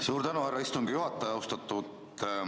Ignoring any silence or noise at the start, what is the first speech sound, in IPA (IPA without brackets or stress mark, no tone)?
s